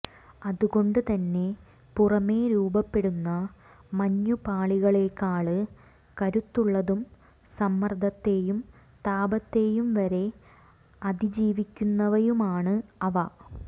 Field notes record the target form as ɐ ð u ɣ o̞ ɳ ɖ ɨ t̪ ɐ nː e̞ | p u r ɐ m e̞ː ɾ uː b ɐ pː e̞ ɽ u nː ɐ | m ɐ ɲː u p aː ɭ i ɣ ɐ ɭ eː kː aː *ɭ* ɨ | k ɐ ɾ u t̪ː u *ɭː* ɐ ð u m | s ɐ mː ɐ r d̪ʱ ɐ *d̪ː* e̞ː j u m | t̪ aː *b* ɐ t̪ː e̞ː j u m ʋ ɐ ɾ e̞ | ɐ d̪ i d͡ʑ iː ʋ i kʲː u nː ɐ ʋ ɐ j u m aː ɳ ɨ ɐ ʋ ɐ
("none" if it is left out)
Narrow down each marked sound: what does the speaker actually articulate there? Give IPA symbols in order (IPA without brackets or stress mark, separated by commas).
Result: ɭ, ɭː, t̪ː, b